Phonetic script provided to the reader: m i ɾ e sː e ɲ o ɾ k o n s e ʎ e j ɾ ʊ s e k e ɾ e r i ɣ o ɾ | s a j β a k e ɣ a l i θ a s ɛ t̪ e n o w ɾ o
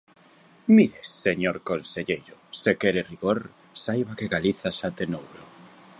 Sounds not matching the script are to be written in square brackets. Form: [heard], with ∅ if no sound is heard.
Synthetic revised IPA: m i ɾ e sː e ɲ o ɾ k o n s e ʎ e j ɾ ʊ s e k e ɾ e r i ɣ o ɾ | s a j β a k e ɣ a l i θ a s [a] t̪ e n o w ɾ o